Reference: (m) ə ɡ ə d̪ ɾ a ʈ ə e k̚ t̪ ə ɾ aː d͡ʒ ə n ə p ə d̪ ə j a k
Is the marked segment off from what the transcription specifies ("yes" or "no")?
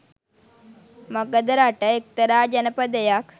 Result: no